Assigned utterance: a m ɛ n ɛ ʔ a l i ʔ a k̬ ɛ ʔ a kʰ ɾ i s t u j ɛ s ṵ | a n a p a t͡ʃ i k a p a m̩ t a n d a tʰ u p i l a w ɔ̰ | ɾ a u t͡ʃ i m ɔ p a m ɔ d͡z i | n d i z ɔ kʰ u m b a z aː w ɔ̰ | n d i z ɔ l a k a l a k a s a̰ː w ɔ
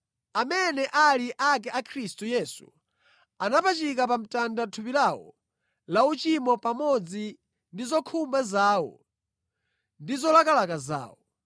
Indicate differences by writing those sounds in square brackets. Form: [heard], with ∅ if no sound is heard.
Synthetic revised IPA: a m ɛ n ɛ ʔ a l i ʔ a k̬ ɛ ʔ a kʰ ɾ i s t u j ɛ s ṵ | a n a p a t͡ʃ i k a p a m̩ t a n d a tʰ u p i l a w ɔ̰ | [l] a u t͡ʃ i m ɔ p a m ɔ d͡z i | n d i z ɔ kʰ u m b a z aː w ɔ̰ | n d i z ɔ l a k a l a k a [z] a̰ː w ɔ